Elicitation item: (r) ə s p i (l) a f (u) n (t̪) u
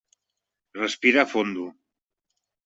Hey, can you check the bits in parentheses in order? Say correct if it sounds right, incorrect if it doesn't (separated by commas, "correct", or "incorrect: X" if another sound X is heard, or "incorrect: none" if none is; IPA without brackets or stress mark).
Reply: correct, incorrect: ɾ, incorrect: o, incorrect: d̪